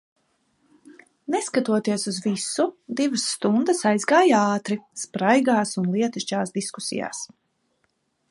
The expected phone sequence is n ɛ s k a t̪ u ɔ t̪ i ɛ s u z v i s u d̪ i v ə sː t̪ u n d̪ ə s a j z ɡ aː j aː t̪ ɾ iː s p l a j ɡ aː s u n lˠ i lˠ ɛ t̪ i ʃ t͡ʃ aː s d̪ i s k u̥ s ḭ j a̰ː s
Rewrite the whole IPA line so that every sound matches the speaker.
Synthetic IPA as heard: n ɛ s k a t̪ u ɔ t̪ i ɛ s u z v i s u d̪ i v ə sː t̪ u n d̪ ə s a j z ɡ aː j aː t̪ ɾ i s p ɾ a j ɡ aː s u n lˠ i ɛ t̪ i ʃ t͡ʃ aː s d̪ i s k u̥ s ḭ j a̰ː s